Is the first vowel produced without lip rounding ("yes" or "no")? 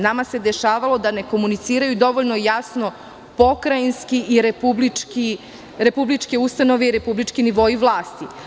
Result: yes